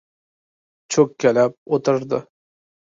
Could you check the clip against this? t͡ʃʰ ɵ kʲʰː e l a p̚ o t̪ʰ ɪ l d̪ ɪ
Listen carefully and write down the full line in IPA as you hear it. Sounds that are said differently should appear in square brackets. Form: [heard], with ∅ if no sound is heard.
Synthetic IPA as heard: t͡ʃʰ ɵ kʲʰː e l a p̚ o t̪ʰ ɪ [ɾ] d̪ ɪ